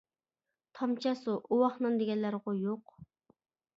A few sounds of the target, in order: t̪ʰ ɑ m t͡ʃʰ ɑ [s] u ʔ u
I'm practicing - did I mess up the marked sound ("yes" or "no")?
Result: no